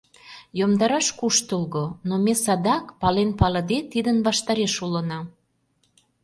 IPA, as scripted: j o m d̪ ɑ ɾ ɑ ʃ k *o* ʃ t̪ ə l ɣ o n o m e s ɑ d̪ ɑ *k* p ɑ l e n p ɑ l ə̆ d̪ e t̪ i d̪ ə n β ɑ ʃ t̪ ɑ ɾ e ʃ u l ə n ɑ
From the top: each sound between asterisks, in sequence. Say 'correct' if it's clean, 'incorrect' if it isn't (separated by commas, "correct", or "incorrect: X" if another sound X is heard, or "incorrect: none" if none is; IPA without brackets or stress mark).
incorrect: u, correct